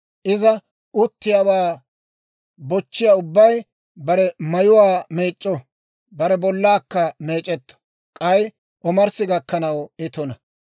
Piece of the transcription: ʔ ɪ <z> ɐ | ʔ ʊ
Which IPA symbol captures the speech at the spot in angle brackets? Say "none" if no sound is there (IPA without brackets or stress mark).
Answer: z